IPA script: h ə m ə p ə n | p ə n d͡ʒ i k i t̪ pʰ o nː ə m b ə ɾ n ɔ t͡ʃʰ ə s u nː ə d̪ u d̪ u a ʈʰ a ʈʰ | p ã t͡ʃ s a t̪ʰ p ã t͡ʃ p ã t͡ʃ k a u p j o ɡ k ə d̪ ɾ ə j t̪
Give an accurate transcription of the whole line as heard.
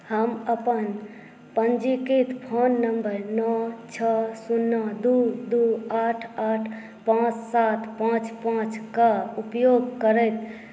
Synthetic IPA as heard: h ə m ə p ə n | p ə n d͡ʒ i k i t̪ pʰ o nː ə m b ə ɾ n ɔ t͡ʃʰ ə s u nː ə d̪ u d̪ u a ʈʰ a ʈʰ | p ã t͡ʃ s a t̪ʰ p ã t͡ʃ p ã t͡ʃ k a u p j o ɡ k ə ɾ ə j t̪

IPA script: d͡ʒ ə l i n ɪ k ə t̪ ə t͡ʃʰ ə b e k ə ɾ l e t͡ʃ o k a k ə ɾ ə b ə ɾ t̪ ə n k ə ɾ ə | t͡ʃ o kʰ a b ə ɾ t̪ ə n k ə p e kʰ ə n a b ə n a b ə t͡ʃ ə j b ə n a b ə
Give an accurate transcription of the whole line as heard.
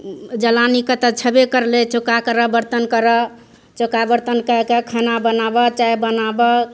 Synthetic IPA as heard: d͡ʒ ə l a n i k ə t̪ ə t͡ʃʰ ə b e k ə ɾ l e t͡ʃ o k a k ə ɾ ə b ə ɾ t̪ ə n k ə ɾ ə | t͡ʃ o k a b ə ɾ t̪ ə n k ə k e kʰ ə n a b ə n a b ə t͡ʃ a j b ə n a b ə

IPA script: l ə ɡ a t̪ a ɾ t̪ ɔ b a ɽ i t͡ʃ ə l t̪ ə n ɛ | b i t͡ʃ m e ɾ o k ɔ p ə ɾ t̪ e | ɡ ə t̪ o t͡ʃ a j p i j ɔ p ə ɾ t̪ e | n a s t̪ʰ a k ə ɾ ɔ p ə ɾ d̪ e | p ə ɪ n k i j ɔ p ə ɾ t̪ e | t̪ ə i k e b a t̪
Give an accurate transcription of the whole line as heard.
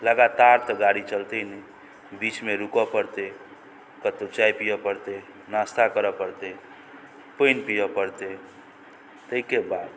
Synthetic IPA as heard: l ə ɡ a t̪ a ɾ t̪ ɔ ɡ a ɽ i t͡ʃ ə l t̪ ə n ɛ | b i t͡ʃ m e ɾ u k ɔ p ə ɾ t̪ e | k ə t̪ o t͡ʃ a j p i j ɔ p ə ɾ t̪ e | n a s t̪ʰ a k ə ɾ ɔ p ə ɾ t̪ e | p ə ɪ n p i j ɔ p ə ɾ t̪ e | t̪ ə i k e b a d̪

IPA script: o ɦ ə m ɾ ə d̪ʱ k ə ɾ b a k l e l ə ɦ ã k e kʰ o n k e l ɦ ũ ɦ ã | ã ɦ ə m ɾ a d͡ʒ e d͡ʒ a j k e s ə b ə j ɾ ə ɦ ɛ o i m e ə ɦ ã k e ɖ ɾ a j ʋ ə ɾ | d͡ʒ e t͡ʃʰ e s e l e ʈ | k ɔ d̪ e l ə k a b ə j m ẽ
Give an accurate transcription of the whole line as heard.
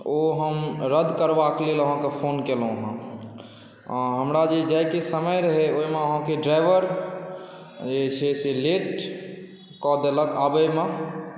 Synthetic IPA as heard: o ɦ ə m ɾ ə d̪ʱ k ə ɾ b a k l e l ə ɦ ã k e pʰ o n k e l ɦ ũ ɦ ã | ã ɦ ə m ɾ a d͡ʒ e d͡ʒ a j k e s ə m ə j ɾ ə ɦ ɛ o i m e ə ɦ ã k e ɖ ɾ a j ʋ ə ɾ | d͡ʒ e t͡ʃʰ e s e l e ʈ | k ɔ d̪ e l ə k a b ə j m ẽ

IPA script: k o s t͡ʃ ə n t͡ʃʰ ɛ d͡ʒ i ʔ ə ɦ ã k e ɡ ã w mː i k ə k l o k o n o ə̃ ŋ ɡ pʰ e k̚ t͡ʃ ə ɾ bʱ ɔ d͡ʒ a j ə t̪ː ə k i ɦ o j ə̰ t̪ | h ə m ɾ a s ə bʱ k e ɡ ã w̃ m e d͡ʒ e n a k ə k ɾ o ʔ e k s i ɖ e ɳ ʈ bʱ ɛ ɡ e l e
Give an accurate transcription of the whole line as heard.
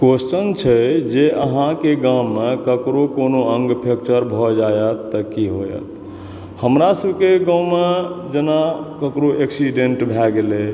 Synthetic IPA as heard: k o s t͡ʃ ə n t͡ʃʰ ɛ d͡ʒ e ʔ ə ɦ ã k e ɡ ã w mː e k ə k ɾ o k o n o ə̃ ŋ ɡ pʰ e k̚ t͡ʃ ə ɾ bʱ ɔ d͡ʒ a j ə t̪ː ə k i ɦ o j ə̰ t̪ | h ə m ɾ a s ə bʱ k e ɡ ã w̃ m e d͡ʒ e n a k ə k ɾ o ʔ e k s i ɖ e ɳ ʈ bʱ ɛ ɡ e l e

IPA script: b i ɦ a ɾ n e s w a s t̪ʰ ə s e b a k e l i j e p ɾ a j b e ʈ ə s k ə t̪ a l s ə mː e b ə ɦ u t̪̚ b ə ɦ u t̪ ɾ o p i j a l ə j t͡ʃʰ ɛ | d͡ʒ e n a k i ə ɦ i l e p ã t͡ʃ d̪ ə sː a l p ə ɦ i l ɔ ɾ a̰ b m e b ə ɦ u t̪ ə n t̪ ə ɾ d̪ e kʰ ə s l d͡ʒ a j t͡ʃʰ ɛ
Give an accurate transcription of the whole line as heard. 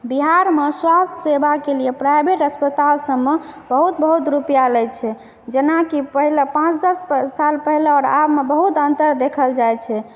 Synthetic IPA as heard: b i ɦ a ɾ m e s w a s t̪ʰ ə s e b a k e l i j e p ɾ a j b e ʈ ə s p ə t̪ a l s ə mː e b ə ɦ u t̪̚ b ə ɦ u t̪ ɾ u p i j a l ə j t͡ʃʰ ɛ | d͡ʒ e n a k i ə ɦ i l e p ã t͡ʃ d̪ ə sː a l p ə ɦ i l ɔ ɾ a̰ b m e b ə ɦ u t̪ ə n t̪ ə ɾ d̪ e kʰ ə l d͡ʒ a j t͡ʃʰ ɛ

